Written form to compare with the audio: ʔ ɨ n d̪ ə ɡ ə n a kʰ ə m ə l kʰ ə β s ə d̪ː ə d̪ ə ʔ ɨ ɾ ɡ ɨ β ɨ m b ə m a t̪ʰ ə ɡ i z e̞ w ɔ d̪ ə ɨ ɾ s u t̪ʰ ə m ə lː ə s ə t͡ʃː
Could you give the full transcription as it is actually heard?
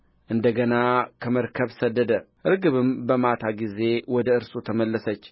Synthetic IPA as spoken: ʔ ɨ n d̪ ə ɡ ə n a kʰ ə m ə ɾ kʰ ə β s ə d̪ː ə d̪ ə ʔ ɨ ɾ ɡ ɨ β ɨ m b ə m a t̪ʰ a ɡ i z e̞ w ɔ d̪ ə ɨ ɾ s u t̪ʰ ə m ə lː ə s ə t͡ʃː